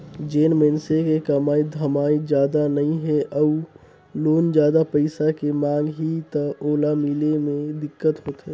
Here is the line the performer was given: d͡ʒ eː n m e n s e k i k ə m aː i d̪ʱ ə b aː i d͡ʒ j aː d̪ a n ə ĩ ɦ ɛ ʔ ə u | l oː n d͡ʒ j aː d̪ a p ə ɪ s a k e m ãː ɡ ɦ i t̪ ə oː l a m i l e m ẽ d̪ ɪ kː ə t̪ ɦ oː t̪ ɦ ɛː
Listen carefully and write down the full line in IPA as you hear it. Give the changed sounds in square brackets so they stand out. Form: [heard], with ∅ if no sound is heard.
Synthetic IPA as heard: d͡ʒ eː n m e n s e k [e] k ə m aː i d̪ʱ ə [m] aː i d͡ʒ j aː d̪ a n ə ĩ ɦ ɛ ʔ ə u | l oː n d͡ʒ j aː d̪ a p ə ɪ s a k e m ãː ɡ ɦ i t̪ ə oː l a m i l e m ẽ d̪ ɪ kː ə t̪ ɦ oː t̪ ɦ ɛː